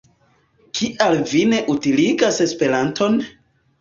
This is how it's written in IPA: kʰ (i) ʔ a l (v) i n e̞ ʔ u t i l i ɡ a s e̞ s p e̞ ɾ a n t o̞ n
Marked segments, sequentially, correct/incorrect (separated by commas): correct, correct